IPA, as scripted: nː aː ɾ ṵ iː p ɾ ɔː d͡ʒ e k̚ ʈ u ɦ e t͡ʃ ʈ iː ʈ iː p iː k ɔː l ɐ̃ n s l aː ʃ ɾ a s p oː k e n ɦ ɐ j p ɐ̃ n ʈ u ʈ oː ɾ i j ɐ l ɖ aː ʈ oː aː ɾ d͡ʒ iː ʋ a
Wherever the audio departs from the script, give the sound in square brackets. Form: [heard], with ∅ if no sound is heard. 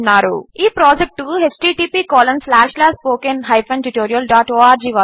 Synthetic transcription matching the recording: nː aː ɾ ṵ iː p ɾ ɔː d͡ʒ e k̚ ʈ u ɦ e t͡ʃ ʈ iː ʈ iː p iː k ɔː l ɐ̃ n s l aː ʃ [l] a s p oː k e n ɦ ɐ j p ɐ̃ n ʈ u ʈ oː ɾ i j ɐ l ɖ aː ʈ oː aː ɾ d͡ʒ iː ʋ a